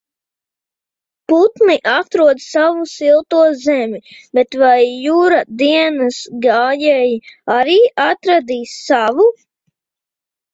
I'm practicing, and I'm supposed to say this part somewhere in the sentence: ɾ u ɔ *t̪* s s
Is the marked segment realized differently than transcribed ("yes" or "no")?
yes